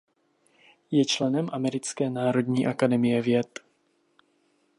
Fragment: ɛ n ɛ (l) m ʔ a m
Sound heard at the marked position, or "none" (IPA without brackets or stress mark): none